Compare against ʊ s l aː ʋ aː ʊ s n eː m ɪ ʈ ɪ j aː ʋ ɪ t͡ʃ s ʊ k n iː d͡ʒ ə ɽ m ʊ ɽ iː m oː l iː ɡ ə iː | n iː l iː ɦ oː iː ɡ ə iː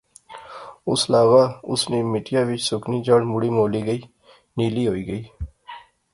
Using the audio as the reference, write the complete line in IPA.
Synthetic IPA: ʊ s l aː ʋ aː ʊ s n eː m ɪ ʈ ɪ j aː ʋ ɪ t͡ʃ s ʊ k n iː d͡ʒ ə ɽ m ʊ ɽ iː m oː l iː ɡ ə iː | n iː l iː ɦ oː iː ɡ ə iː